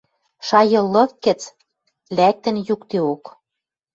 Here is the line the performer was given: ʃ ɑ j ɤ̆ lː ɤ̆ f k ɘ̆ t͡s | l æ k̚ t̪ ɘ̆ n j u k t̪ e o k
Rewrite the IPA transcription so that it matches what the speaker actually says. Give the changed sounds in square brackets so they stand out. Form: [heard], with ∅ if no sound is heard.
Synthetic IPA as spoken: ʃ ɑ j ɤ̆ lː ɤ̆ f k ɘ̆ t͡s | l æ k̚ t̪ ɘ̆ n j u k t̪ e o k